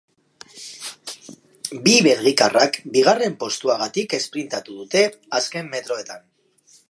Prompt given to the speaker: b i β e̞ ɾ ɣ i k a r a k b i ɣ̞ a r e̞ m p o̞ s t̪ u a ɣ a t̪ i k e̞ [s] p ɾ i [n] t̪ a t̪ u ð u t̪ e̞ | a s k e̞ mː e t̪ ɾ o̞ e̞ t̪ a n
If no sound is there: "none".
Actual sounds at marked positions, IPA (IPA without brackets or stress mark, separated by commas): s, n